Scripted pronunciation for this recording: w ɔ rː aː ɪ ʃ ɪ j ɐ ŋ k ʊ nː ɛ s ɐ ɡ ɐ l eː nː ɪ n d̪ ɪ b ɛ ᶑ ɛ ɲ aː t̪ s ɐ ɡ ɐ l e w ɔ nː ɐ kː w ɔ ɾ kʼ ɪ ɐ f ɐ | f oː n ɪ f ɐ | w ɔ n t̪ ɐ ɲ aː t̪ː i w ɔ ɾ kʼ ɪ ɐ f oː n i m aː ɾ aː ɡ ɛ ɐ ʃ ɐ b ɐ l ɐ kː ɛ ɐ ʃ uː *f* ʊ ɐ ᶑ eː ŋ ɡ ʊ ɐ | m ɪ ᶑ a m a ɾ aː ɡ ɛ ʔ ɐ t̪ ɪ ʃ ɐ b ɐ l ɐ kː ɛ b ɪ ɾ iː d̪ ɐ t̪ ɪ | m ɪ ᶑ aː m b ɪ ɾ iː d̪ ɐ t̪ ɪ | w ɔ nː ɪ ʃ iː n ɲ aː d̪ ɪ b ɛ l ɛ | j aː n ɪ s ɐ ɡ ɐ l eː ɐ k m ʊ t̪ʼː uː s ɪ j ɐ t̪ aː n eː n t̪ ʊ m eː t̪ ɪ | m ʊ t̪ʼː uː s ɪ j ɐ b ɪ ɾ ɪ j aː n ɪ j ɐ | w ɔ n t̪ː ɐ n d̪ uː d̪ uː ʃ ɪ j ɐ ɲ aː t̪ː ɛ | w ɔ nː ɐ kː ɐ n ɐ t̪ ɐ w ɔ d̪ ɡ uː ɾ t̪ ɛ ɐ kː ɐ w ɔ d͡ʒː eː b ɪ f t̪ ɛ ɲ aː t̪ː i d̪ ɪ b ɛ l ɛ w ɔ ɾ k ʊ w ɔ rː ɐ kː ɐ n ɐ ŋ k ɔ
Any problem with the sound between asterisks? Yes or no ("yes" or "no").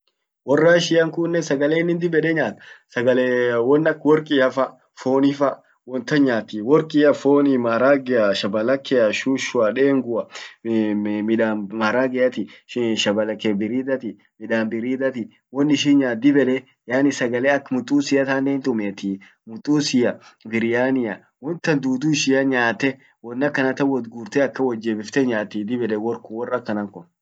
yes